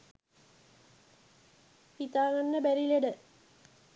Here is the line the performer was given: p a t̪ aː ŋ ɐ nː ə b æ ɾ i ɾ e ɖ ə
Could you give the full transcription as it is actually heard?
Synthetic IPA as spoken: p i t̪ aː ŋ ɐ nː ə b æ ɾ i l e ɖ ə